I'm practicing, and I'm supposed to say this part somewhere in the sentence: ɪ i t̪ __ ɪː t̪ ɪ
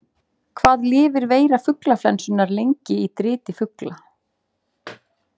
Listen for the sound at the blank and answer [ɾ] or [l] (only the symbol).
ɾ